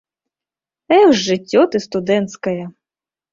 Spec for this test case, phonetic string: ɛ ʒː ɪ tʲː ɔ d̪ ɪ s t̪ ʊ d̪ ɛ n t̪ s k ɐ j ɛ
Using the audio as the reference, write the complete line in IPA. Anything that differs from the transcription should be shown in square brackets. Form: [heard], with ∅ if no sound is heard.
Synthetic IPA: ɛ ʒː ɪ tʲː ɔ [t̪] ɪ s t̪ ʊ d̪ ɛ n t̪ s k ɐ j ɛ